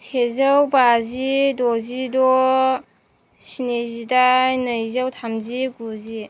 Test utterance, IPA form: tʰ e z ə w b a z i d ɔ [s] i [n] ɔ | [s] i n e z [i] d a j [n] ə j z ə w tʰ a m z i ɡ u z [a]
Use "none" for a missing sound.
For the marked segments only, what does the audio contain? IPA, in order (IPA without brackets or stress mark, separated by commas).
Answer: z, d, s, i, n, i